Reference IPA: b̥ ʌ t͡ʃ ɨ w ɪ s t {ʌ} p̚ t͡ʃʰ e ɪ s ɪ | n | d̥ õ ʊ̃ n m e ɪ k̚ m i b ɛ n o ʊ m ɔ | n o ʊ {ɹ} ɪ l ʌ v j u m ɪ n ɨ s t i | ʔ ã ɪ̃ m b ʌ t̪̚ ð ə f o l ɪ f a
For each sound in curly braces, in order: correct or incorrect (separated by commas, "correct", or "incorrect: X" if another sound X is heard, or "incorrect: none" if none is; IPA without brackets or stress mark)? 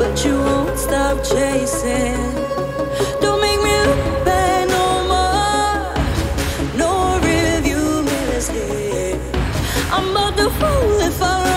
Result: incorrect: ɑ, correct